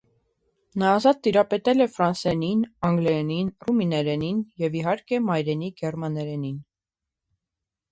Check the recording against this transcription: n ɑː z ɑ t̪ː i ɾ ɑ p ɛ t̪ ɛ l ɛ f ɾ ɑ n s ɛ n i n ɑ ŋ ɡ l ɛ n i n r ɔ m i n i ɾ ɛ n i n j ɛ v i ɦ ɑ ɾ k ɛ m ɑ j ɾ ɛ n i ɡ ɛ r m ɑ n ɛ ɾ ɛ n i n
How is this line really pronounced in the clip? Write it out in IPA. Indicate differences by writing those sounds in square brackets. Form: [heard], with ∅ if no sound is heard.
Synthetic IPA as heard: n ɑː z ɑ t̪ː i ɾ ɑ p ɛ t̪ ɛ l ɛ f ɾ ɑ n s ɛ n i n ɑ ŋ ɡ l ɛ n i n r [u] m i n [ɛ] ɾ ɛ n i n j ɛ v i ɦ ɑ ɾ k ɛ m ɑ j ɾ ɛ n i ɡ ɛ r m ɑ n ɛ ɾ ɛ n i n